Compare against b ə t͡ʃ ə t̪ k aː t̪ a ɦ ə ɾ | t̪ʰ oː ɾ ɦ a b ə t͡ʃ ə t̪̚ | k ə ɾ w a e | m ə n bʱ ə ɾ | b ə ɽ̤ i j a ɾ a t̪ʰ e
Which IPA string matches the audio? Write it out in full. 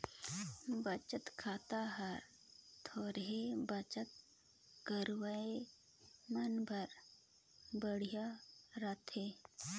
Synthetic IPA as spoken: b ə t͡ʃ ə t̪ kʰ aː t̪ a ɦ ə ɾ | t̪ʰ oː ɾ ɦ e b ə t͡ʃ ə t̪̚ | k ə ɾ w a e | m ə n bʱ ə ɾ | b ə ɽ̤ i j a ɾ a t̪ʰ e